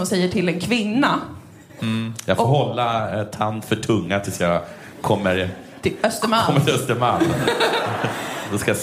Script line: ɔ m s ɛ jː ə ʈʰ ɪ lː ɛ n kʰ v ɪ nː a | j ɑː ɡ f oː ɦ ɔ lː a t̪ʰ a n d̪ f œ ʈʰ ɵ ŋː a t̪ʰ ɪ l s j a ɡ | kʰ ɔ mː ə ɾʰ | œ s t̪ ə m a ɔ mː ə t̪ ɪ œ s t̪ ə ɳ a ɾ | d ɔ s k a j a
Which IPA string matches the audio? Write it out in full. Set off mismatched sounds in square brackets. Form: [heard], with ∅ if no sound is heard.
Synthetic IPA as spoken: ɔ m s ɛ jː ə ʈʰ ɪ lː ɛ n kʰ v ɪ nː a | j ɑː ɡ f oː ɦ ɔ lː a t̪ʰ a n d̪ f œ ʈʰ ɵ ŋː a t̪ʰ ɪ l s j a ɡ | kʰ ɔ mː ə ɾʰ | œ s t̪ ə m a ɔ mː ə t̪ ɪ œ s t̪ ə [m] a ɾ | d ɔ s k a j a